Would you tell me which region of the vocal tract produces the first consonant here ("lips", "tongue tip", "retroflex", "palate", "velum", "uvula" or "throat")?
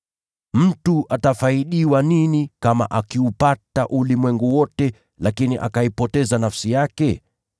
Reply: lips